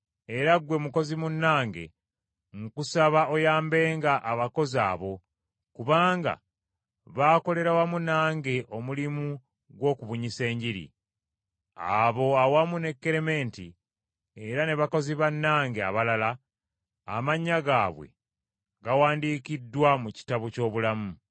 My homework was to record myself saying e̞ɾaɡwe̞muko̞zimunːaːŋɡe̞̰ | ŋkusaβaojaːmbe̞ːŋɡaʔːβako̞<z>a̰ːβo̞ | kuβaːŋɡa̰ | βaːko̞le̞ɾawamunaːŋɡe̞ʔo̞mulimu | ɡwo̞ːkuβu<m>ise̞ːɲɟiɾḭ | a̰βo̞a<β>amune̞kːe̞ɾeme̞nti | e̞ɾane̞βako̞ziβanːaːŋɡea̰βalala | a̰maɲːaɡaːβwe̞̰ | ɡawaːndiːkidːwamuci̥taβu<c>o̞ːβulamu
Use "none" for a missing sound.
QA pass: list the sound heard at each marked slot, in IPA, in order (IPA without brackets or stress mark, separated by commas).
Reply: z, ɲ, w, c